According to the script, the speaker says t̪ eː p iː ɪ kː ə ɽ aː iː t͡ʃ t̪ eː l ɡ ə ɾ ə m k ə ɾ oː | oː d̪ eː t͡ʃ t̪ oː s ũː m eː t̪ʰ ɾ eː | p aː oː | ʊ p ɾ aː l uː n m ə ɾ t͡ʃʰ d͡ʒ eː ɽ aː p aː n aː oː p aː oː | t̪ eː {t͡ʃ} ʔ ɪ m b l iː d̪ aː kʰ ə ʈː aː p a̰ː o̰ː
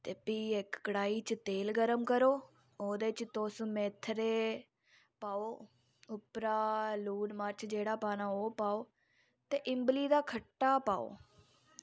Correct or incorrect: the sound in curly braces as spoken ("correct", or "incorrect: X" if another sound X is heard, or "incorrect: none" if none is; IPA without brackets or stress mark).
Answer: incorrect: none